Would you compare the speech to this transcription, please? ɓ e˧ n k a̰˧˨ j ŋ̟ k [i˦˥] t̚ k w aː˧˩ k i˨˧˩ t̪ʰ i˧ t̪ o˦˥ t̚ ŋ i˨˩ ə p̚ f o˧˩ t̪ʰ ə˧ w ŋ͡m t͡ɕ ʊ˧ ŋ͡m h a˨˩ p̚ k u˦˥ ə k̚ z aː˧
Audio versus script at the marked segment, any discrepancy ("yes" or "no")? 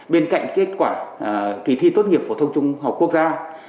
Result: yes